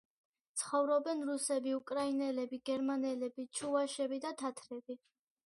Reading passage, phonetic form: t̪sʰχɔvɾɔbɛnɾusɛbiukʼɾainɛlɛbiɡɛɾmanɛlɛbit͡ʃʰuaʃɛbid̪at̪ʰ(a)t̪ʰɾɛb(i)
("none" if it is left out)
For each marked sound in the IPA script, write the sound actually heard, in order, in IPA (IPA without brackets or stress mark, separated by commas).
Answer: a, i